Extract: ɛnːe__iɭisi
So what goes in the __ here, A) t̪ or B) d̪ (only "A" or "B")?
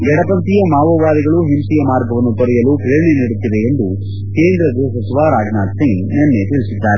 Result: A